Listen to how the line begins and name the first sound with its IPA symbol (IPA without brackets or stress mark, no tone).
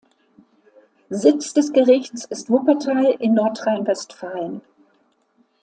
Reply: z